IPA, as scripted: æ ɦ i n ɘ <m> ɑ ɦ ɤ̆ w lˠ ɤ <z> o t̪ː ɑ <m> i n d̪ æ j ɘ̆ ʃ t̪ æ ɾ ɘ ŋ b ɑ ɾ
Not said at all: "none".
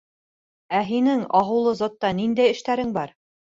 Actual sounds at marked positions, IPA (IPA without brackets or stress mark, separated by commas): ŋ, z, n